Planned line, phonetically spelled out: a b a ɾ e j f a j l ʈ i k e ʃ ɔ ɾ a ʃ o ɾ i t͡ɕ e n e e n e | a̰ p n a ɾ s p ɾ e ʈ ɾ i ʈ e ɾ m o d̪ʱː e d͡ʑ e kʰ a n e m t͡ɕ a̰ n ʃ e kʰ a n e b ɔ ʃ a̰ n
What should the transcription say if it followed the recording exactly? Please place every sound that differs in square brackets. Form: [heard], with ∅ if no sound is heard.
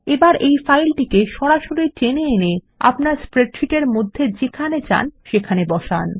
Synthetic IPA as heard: [e] b a ɾ e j f a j l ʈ i k e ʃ ɔ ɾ a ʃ o ɾ i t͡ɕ e n e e n e | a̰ p n a ɾ s p ɾ e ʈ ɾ i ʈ e ɾ m o d̪ʱː e d͡ʑ e kʰ a n e [∅] t͡ɕ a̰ n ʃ e kʰ a n e b ɔ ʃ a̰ n